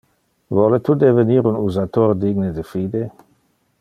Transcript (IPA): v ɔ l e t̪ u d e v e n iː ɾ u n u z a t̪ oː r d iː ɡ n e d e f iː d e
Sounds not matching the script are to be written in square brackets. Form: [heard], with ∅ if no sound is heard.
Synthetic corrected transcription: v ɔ l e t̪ u d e v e n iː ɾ u n u z a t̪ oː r d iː ɡ n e d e f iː d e